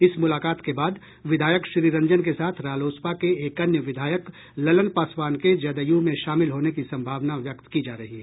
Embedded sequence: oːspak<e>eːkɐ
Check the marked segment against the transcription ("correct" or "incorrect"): correct